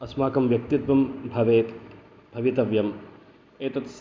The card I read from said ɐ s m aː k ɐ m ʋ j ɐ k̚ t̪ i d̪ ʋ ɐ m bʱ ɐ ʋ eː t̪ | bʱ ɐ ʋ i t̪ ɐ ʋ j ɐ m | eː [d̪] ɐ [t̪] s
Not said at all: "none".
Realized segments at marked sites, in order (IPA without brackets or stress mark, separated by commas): t̪, t̪